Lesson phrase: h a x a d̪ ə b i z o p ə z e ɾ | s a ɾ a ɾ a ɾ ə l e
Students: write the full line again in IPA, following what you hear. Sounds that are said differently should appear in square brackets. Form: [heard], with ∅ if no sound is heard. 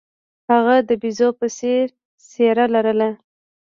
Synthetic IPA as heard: h a [ɣ] a d̪ ə b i z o p ə [s] e ɾ | s [e] ɾ a [l] a ɾ ə l [a]